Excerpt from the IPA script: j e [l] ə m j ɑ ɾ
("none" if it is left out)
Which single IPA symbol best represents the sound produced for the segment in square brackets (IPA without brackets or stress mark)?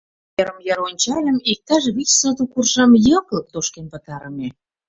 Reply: ɾ